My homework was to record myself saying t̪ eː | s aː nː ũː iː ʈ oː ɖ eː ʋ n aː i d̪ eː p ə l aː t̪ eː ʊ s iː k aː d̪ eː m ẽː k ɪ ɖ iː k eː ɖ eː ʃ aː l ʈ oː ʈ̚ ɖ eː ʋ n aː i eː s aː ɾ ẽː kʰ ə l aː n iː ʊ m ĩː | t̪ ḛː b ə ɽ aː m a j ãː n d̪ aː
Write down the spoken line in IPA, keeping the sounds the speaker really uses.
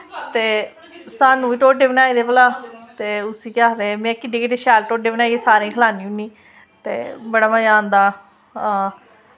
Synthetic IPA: t̪ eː | s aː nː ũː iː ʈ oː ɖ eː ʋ n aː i d̪ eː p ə l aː t̪ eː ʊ s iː k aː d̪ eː m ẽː k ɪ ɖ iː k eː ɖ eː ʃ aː l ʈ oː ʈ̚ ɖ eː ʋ n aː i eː s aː ɾ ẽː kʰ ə l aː n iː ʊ n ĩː | t̪ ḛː b ə ɽ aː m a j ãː n d̪ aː